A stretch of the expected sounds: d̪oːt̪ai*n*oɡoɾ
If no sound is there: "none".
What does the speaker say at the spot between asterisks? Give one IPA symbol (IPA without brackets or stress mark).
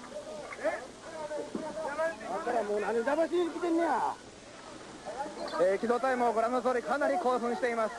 m